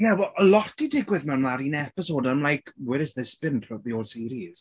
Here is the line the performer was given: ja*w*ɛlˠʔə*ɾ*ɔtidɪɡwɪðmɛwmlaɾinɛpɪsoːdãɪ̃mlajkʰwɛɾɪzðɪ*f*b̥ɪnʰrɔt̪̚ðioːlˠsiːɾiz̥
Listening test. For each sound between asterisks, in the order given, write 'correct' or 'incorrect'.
correct, incorrect, incorrect

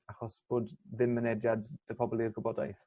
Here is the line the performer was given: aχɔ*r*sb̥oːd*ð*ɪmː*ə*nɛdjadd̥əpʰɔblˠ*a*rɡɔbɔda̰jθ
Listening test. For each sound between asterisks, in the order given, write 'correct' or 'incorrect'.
incorrect, correct, correct, incorrect

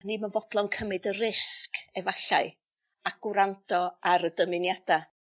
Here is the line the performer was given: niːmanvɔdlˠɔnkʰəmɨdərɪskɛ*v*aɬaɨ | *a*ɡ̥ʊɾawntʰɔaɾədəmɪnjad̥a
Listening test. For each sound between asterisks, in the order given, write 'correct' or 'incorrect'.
correct, correct

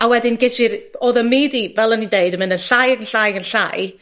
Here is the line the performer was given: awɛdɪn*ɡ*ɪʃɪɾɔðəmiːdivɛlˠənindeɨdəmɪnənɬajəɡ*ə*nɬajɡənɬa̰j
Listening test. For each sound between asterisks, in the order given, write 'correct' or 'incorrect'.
correct, correct

